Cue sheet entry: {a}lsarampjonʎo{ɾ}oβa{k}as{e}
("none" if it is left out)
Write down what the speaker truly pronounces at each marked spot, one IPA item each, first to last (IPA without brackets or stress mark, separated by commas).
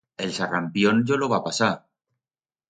e, l, p, a